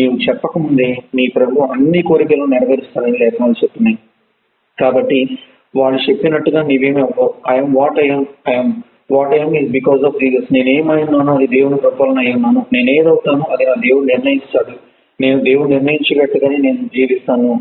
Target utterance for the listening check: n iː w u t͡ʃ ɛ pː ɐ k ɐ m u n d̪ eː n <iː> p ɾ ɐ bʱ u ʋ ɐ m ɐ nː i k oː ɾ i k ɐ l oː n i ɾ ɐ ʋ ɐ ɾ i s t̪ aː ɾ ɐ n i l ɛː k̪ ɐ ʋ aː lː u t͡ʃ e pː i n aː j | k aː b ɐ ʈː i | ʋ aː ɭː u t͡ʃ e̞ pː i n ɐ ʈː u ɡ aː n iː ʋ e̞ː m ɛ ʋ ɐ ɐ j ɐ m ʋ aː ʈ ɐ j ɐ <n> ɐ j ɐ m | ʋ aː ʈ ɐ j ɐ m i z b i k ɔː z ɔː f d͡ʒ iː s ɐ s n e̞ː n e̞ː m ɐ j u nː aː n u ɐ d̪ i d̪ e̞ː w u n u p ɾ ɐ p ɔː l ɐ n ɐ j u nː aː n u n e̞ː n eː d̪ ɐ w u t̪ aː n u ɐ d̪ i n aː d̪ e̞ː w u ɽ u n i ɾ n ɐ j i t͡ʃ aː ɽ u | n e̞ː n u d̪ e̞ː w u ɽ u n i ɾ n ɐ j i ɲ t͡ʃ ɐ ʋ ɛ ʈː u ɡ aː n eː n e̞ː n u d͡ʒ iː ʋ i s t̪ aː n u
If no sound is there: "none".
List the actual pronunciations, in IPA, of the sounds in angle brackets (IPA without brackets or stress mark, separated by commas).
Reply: iː, m